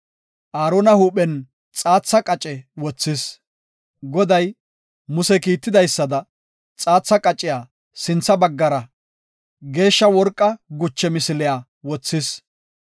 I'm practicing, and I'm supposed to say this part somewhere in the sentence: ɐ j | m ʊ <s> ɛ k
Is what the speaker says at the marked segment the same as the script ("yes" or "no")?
yes